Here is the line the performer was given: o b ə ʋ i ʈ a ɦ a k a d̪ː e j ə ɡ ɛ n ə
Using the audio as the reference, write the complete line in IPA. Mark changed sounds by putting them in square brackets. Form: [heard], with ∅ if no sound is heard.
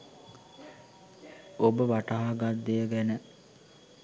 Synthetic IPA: o b ə ʋ [a] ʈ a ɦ a [ɡ] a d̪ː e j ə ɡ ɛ n ə

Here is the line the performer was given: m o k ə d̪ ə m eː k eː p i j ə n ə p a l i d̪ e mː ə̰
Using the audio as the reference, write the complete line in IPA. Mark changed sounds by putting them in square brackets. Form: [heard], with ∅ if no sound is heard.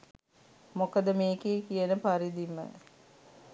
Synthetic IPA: m o k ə d̪ ə m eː k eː [k] i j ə n ə p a [ɾ] i d̪ [i] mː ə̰

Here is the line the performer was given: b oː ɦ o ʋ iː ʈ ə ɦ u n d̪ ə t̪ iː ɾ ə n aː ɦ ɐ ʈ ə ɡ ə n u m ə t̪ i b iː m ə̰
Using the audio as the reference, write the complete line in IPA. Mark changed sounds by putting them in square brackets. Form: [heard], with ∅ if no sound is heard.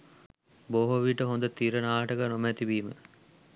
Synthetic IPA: b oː ɦ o ʋ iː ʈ ə ɦ [o] n d̪ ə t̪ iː ɾ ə n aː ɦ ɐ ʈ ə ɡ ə n [o] m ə t̪ i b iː m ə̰

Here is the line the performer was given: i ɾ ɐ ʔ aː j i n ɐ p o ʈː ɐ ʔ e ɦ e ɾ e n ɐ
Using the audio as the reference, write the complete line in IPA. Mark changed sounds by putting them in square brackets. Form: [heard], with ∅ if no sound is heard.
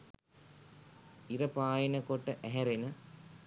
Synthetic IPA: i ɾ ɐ [p] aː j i n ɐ [k] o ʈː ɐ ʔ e ɦ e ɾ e n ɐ

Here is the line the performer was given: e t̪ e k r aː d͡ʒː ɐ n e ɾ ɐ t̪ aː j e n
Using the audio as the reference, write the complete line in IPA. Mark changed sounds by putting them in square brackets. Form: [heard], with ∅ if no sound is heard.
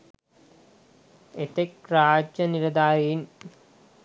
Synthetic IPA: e t̪ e k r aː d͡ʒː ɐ n [i] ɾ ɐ [d̪] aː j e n

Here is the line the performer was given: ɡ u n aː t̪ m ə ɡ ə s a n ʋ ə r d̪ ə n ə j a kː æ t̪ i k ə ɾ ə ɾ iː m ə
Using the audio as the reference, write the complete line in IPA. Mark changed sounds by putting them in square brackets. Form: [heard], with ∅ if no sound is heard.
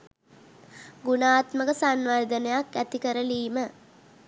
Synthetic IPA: ɡ u n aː t̪ m ə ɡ ə s a n ʋ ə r d̪ ə n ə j a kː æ t̪ i k ə ɾ ə [l] iː m ə

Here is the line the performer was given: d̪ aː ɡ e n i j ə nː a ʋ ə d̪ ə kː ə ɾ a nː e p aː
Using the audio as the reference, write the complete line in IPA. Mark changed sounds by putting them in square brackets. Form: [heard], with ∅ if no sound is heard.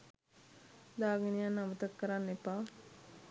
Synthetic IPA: d̪ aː ɡ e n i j [a] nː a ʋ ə [t̪] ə kː ə ɾ a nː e p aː

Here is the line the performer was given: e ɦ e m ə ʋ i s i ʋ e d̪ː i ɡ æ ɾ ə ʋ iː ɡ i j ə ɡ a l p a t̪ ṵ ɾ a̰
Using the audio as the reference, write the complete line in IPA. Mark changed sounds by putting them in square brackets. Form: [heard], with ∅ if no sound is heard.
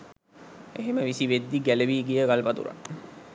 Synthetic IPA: e ɦ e m ə ʋ i s i ʋ e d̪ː i ɡ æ [l] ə ʋ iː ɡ i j ə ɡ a l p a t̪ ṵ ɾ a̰

